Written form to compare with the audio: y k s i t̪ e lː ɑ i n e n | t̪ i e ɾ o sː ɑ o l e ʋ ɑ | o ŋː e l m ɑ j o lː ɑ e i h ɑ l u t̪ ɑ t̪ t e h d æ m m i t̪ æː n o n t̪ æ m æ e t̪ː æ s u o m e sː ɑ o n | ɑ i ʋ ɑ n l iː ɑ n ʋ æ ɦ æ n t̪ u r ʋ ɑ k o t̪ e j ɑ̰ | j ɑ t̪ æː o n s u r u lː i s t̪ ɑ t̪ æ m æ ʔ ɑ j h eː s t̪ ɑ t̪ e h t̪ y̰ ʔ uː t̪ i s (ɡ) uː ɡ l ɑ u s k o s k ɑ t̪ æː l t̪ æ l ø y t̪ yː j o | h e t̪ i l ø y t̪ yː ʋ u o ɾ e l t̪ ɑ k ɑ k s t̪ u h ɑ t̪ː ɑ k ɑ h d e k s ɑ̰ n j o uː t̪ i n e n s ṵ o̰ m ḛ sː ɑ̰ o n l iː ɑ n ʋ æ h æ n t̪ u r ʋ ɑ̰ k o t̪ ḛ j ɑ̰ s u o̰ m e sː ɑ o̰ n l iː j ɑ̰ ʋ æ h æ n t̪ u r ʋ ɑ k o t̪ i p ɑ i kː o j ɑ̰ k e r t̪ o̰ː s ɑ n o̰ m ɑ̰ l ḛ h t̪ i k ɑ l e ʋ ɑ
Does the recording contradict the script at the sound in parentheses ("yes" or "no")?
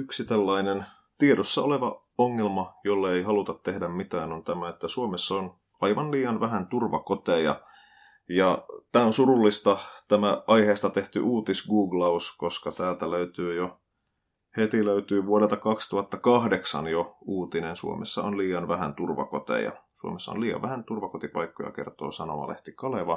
no